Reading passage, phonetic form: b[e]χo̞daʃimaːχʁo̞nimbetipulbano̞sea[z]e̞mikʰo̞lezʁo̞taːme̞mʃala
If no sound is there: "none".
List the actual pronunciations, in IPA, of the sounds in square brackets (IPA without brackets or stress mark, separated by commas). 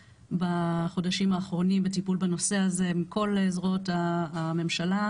a, z